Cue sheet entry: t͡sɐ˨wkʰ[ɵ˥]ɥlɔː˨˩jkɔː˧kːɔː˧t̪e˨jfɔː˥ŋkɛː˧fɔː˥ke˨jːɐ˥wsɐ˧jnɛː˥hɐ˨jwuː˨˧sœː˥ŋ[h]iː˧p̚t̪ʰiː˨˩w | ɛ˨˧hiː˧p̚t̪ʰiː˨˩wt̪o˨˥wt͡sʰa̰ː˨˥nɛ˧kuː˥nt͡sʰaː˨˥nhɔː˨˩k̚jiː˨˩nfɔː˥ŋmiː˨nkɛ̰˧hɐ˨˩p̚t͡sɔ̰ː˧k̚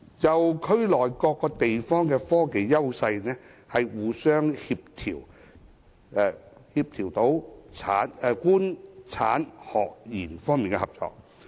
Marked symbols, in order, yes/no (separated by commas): yes, yes